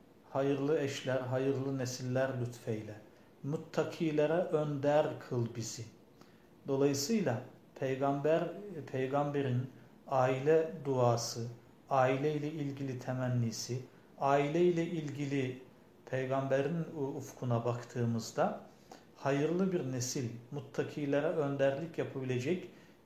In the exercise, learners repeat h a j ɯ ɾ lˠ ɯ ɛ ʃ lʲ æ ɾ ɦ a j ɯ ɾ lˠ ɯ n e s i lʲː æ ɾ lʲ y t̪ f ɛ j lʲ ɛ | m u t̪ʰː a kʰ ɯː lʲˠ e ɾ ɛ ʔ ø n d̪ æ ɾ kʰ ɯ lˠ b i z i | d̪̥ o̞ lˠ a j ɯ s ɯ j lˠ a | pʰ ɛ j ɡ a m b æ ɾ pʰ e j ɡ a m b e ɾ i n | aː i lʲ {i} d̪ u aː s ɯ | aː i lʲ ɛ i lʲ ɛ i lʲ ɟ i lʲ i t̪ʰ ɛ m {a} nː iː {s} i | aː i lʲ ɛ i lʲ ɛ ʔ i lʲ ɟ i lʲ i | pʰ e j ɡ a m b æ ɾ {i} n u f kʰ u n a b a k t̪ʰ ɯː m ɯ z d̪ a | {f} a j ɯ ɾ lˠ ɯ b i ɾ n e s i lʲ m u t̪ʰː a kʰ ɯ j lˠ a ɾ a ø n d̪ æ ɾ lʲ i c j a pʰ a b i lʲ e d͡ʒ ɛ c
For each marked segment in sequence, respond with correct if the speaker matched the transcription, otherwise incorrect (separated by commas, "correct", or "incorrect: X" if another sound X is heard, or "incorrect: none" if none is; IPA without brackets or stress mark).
incorrect: ɛ, incorrect: æ, correct, correct, incorrect: h